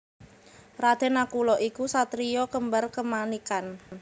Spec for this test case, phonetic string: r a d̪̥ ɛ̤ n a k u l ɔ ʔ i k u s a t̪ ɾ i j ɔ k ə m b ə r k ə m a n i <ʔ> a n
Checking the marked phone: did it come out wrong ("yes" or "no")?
yes